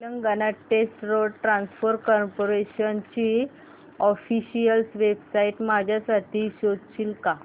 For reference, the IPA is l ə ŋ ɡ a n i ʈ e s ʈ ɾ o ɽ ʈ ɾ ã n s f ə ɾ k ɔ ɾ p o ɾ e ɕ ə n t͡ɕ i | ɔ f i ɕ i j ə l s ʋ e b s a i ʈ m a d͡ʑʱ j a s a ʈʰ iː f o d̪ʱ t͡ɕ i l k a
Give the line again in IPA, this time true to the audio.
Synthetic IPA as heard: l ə ŋ ɡ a n a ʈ e s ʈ ɾ o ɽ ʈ ɾ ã n s f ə ɾ k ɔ ɾ p o ɾ e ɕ ə n t͡ɕ i | ɔ f i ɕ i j ə l s ʋ e b s a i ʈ m a d͡ʑʱ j a s a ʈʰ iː ɕ o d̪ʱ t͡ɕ i l k a